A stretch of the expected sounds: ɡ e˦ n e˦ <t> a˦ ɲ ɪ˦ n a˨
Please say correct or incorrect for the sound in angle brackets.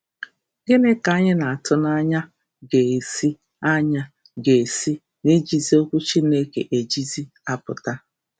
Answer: incorrect: k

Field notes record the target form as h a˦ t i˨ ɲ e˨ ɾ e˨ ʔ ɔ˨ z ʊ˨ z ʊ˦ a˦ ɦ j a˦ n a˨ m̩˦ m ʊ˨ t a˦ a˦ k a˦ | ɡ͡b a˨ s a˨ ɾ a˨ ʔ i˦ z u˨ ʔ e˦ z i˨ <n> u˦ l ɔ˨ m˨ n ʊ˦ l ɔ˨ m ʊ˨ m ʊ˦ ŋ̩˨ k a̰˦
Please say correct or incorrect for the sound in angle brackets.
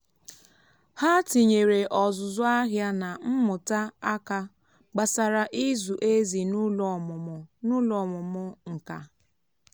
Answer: correct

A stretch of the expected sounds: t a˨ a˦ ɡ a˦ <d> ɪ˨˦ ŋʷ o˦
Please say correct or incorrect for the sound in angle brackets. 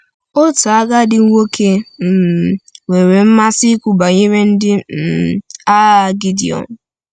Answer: correct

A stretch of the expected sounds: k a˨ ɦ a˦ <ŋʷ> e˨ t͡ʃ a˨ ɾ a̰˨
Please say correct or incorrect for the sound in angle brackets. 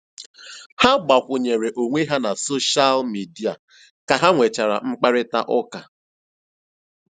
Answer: correct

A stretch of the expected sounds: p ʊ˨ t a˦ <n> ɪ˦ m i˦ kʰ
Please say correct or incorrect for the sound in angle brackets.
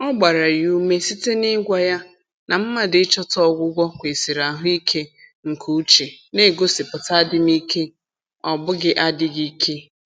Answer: incorrect: d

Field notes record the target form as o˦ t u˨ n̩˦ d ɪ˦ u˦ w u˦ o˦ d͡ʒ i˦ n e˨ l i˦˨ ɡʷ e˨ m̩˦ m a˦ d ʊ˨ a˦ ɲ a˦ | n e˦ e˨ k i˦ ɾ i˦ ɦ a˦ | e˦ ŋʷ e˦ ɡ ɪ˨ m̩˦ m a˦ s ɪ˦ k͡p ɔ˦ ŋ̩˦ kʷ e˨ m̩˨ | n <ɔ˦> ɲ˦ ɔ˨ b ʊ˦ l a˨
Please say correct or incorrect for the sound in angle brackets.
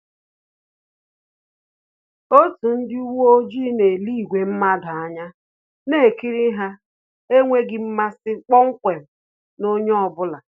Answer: incorrect: o˦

